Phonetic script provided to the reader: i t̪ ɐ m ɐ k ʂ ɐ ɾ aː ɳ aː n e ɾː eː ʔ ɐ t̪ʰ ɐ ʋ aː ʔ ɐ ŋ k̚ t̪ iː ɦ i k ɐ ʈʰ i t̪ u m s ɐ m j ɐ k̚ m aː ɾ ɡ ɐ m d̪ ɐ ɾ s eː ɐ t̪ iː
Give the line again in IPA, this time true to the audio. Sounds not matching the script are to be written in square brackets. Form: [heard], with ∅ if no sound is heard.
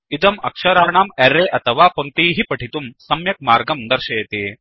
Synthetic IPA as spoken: i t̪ ɐ m ɐ k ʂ ɐ ɾ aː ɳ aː [m] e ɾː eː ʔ ɐ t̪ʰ ɐ ʋ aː [p] ɐ ŋ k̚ t̪ iː ɦ i [p] ɐ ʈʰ i t̪ u m s ɐ m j ɐ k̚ m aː ɾ ɡ ɐ m d̪ ɐ ɾ [ʃ] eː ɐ t̪ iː